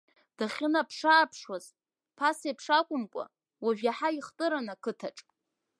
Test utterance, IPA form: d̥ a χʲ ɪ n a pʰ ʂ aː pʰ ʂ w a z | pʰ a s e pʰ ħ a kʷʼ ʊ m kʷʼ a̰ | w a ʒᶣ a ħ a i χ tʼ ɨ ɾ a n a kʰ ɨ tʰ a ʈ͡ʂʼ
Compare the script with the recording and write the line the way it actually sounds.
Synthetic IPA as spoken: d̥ a χʲ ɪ n a pʰ ʂ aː pʰ ʂ w a z | pʰ a s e pʰ ʂ a kʷʼ ʊ m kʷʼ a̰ | w a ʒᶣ a ħ a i χ tʼ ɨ ɾ a n a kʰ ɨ tʰ a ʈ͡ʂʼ